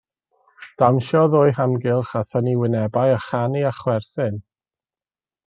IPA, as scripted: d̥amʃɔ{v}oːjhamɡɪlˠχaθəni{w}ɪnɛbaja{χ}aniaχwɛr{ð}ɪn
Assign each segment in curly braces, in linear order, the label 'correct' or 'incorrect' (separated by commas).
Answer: incorrect, correct, correct, incorrect